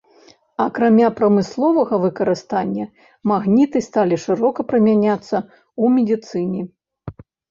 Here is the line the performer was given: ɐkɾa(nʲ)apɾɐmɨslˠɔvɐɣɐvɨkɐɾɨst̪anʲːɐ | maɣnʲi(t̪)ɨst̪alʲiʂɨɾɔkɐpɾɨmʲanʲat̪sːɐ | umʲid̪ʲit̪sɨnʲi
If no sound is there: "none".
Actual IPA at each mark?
mʲ, t̪

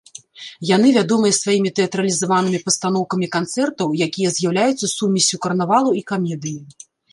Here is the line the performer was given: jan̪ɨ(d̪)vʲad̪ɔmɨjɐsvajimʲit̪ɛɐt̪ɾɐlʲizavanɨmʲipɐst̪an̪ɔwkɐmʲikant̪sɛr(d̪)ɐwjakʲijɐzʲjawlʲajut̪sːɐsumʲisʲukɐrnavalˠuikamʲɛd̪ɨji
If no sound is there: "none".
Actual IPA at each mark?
none, t̪

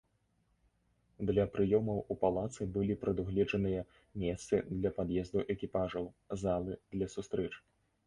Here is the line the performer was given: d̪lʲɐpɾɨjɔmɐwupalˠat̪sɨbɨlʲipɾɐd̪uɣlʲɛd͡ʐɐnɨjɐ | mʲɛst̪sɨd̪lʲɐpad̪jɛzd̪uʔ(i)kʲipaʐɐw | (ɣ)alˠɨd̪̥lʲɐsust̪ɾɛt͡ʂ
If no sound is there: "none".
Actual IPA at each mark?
ɛ, z

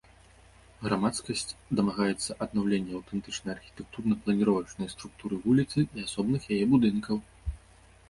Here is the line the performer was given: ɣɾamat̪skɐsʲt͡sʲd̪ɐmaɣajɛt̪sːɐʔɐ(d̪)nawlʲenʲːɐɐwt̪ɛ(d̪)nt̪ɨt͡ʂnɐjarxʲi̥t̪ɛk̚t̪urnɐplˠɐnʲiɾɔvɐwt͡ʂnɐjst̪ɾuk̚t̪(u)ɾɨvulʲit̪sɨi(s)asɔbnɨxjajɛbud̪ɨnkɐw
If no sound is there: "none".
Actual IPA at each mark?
d̪, none, u, none

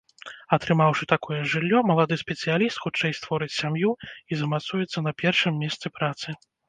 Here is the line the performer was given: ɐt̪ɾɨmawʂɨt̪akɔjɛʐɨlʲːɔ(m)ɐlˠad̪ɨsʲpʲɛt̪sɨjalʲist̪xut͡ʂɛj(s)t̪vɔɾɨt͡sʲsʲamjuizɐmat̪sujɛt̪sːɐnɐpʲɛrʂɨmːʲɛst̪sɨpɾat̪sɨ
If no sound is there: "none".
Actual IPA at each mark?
m, s

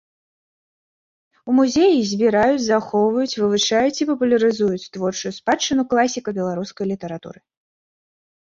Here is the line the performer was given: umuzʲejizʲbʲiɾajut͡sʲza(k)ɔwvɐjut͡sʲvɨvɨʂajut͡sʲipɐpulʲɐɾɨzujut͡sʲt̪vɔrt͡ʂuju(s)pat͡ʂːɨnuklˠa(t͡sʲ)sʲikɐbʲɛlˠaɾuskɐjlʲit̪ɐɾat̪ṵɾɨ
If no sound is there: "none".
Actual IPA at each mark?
x, s, none

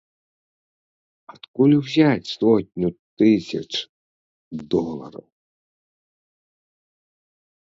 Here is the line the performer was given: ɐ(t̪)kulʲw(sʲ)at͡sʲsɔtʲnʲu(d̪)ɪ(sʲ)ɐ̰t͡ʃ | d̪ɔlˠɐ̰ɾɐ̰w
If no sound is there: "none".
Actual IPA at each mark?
t̪, zʲ, t̪, sʲ

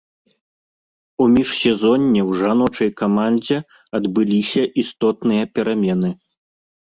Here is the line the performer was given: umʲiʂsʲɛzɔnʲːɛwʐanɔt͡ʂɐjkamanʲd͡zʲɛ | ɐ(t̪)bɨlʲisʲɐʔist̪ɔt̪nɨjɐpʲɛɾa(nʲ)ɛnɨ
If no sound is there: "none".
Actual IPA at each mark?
d̪, mʲ

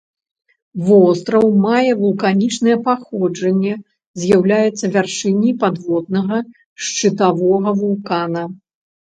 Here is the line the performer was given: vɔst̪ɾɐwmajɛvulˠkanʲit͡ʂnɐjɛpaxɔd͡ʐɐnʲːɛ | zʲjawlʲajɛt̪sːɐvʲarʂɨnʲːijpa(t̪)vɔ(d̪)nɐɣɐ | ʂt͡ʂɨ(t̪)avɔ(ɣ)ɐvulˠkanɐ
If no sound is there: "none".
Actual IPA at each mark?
d̪, d̪, t̪, ɣ

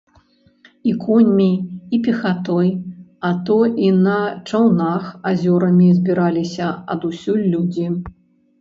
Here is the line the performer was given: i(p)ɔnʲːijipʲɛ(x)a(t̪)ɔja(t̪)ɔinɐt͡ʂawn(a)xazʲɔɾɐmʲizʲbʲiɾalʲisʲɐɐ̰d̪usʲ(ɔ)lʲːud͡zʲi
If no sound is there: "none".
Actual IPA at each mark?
k, x, t̪, t̪, a, u

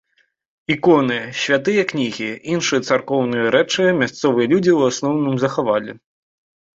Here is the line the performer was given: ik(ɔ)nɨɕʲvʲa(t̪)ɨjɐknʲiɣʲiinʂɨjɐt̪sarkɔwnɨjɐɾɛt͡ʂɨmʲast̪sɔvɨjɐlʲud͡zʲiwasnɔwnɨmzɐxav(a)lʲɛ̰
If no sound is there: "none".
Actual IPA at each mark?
ɔ, t̪, a

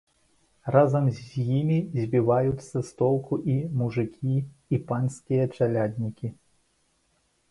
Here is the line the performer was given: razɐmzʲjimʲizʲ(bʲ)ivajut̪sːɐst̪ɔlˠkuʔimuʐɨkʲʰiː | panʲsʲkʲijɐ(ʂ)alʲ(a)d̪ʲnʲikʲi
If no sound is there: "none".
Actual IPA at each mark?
bʲ, t͡ʂ, a

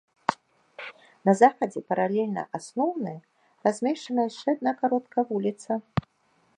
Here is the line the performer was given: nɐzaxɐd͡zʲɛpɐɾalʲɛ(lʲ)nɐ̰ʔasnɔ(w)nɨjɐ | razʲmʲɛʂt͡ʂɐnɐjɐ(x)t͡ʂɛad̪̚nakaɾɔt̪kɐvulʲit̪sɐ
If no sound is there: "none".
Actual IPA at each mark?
lʲ, w, ʂ

